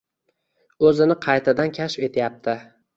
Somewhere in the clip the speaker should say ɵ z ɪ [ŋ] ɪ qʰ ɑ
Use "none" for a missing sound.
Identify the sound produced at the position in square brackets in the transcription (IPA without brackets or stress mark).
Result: n